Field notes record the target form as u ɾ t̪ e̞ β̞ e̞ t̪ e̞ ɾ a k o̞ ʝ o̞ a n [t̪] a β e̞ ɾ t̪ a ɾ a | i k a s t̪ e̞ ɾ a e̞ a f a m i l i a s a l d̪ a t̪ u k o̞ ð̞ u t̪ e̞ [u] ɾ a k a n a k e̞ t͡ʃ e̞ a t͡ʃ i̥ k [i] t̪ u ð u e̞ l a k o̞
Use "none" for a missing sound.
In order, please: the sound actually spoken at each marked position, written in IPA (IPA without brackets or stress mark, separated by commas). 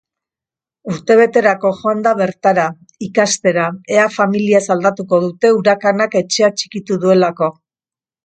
d̪, u, i